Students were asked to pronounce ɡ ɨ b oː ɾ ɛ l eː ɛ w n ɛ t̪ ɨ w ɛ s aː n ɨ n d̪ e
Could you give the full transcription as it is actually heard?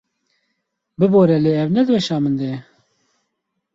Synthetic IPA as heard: b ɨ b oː ɾ ɛ l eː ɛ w n ɛ d̪ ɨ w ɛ ʃ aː m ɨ n d̪ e